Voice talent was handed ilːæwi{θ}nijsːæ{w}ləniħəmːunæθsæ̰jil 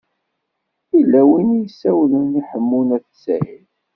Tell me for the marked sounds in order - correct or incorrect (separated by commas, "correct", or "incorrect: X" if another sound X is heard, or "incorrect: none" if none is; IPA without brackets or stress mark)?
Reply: incorrect: none, correct